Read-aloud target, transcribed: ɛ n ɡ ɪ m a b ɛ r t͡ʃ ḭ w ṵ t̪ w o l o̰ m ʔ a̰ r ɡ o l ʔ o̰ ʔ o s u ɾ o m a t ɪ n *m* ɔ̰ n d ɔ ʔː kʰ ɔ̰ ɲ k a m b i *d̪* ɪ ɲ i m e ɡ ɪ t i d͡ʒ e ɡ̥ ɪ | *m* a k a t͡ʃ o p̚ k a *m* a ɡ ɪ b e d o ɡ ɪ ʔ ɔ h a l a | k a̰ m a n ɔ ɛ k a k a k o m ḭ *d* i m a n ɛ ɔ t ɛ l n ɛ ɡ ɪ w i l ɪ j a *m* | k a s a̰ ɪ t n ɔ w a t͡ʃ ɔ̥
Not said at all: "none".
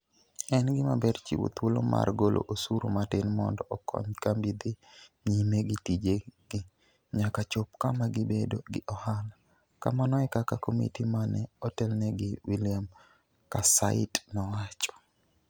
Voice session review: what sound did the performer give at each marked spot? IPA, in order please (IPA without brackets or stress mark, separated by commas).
m, d̪, ɲ, m, t, m